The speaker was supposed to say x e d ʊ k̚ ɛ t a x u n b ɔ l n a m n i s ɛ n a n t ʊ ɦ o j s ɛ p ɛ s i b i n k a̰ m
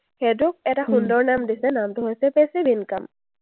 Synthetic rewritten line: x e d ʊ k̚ ɛ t a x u n d ɔ ɹ n a m d i s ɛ n a m t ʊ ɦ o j s ɛ p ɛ s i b i n k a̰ m